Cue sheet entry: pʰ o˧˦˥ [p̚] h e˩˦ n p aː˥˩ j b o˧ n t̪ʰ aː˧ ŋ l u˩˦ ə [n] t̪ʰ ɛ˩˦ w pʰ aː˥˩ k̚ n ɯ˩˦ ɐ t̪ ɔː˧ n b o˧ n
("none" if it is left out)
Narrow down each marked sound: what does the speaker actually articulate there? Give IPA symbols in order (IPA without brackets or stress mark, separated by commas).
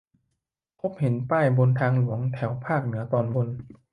p̚, ŋ